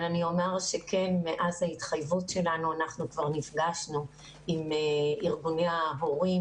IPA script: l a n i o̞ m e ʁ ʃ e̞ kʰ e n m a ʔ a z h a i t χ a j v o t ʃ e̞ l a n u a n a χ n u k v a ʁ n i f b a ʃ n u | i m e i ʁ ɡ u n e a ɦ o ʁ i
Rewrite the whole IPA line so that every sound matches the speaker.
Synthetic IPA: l a n i o̞ m e ʁ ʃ e̞ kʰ e n m e ʔ a z h a i t χ a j v u t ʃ e̞ l a n u a n a χ n u k v a ʁ n i f ɡ a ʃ n u | i m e i ʁ ɡ u n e a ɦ o ʁ i